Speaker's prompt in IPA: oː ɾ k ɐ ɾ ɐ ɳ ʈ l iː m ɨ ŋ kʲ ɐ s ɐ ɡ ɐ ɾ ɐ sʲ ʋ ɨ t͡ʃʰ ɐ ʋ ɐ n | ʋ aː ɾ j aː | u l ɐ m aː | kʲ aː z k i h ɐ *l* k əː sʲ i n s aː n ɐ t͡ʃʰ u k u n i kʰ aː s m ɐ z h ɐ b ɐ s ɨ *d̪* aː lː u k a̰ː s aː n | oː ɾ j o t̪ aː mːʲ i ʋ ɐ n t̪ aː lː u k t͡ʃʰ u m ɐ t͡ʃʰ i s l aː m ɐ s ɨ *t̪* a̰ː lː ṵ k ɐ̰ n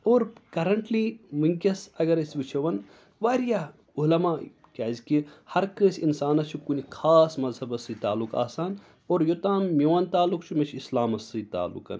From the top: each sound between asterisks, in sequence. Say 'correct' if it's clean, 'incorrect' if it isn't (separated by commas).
incorrect, incorrect, correct